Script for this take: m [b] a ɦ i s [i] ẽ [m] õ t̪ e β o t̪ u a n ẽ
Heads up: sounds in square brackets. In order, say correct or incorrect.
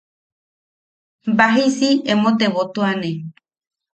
correct, correct, correct

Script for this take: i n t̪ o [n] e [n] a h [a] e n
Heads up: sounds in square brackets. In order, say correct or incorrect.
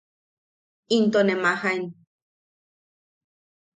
correct, incorrect: m, correct

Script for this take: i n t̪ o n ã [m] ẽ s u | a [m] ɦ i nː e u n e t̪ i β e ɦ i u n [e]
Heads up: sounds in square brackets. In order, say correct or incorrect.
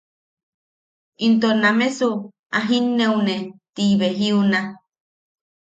correct, incorrect: none, incorrect: a

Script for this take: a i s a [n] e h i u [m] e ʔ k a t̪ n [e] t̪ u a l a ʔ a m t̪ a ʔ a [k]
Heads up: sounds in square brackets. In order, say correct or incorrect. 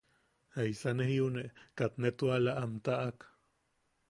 correct, incorrect: n, correct, correct

